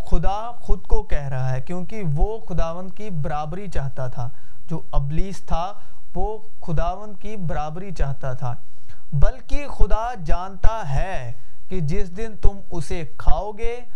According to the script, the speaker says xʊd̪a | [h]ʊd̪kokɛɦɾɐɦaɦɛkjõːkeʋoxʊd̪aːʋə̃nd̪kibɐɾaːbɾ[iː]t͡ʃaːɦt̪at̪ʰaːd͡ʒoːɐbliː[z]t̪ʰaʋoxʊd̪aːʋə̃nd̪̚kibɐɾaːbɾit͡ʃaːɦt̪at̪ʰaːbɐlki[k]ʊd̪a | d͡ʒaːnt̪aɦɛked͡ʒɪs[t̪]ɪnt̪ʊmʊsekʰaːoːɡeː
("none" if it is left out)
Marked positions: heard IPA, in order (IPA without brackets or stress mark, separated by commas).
x, i, s, x, d̪